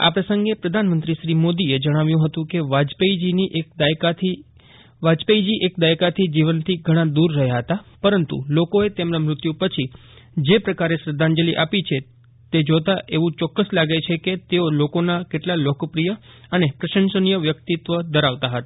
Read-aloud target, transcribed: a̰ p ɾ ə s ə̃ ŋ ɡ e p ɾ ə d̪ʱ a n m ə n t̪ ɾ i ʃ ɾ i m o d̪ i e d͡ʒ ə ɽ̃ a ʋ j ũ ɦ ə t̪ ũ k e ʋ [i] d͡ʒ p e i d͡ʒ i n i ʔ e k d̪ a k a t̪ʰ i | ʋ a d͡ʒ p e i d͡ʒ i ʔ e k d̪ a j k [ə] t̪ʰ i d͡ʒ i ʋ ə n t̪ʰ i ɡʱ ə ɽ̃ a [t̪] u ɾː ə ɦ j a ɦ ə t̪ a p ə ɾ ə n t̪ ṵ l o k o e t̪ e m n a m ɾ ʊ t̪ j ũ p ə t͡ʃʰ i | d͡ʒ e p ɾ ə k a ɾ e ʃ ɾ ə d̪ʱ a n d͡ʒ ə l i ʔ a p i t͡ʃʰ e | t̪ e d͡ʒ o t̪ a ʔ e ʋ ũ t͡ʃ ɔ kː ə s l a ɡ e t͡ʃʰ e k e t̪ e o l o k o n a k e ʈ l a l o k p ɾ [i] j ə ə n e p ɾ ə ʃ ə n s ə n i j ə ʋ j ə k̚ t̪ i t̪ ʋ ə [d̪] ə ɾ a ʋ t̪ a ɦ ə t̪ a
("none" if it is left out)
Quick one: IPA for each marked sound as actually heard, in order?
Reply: a, a, d̪, i, d̪

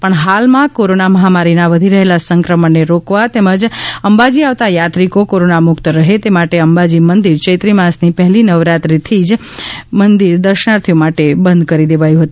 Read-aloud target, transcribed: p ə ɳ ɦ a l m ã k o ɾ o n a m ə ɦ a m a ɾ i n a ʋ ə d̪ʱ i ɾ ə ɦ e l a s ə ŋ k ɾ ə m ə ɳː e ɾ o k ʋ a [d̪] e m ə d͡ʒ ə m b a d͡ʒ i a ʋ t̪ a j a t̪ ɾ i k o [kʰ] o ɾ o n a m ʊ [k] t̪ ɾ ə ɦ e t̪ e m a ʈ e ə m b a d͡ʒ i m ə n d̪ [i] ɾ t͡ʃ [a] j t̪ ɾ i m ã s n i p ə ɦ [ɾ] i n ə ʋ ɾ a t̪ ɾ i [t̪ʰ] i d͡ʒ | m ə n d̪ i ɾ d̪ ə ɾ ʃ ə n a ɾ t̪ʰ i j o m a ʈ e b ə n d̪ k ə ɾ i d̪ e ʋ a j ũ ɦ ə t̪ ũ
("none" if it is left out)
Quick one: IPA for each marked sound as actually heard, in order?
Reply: t̪, k, k, i, ə, l, t̪ʰ

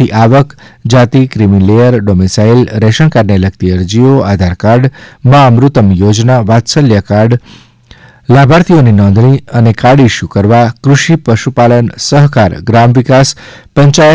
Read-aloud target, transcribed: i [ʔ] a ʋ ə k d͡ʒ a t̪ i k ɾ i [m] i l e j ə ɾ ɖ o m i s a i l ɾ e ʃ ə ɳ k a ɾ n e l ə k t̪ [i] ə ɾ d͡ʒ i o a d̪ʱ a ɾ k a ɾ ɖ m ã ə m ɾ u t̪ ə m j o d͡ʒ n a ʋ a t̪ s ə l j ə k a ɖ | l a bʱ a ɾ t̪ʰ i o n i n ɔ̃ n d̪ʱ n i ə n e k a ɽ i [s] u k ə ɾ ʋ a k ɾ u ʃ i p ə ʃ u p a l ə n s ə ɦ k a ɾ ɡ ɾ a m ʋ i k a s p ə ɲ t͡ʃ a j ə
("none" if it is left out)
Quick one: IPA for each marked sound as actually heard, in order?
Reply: ʔ, m, i, ʃ

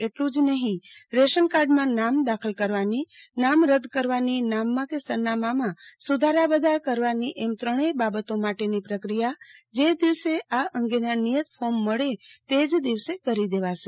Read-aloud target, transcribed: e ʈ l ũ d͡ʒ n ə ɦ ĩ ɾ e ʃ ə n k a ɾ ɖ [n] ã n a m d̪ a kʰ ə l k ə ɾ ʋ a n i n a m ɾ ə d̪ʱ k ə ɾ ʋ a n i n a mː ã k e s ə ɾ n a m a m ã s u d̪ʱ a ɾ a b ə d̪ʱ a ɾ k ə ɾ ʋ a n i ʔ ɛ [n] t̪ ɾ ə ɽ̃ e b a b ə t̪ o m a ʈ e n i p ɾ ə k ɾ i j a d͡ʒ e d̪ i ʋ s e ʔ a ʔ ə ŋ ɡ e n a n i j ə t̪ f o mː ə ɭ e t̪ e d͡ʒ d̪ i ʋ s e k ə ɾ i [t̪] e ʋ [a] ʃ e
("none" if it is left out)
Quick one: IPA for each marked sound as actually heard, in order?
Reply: m, m, d̪, a

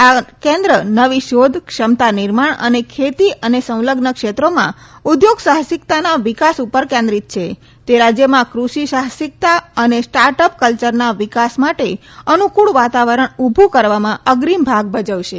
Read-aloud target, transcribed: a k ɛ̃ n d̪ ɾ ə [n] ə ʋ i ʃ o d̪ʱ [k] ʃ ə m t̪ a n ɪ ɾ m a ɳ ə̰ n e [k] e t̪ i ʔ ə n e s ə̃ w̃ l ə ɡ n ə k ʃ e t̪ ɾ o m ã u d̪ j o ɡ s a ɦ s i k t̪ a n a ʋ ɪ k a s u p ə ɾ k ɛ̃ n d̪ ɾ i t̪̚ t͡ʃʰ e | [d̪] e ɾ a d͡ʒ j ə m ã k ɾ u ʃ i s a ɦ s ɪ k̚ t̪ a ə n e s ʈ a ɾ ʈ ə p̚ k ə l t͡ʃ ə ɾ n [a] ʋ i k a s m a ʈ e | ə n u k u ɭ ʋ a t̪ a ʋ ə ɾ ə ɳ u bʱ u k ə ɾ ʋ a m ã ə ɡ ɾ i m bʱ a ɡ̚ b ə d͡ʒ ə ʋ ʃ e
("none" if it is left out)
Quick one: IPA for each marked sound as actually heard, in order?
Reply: n, k, kʰ, t̪, a

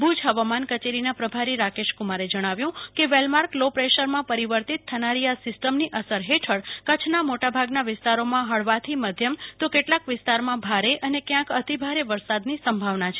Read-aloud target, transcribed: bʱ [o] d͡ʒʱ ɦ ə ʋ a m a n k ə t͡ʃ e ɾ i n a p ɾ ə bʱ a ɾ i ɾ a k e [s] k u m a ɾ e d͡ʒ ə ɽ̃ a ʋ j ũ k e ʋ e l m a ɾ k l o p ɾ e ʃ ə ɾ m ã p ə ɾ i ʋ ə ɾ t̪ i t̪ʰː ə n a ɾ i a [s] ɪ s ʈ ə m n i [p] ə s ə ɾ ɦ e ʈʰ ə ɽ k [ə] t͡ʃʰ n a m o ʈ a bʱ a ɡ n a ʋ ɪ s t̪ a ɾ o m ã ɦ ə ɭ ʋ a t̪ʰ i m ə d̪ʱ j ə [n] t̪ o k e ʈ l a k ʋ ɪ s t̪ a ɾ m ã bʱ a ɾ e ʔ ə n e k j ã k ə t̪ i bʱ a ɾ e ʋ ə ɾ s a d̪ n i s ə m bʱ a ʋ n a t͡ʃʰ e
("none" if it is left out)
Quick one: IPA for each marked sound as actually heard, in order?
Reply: u, ʃ, s, ʔ, ə, m

